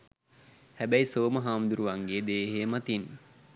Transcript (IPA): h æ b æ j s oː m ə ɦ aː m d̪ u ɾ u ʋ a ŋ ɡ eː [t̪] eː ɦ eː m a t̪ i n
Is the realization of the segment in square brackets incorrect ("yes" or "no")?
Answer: yes